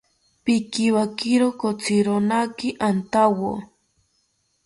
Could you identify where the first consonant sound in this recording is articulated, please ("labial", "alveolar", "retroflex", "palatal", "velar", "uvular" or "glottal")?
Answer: labial